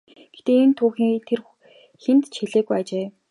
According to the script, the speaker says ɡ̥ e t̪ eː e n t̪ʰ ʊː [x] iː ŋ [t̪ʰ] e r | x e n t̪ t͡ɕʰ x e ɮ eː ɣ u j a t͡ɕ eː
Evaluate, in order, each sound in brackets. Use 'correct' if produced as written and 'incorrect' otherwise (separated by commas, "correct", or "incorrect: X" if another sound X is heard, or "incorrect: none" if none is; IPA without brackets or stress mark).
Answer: correct, correct